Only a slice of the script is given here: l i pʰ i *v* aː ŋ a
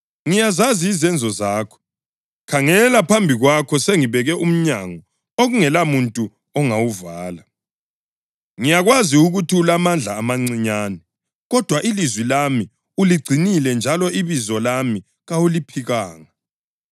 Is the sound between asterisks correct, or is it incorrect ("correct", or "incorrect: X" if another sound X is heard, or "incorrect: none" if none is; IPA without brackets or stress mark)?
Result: incorrect: ɣ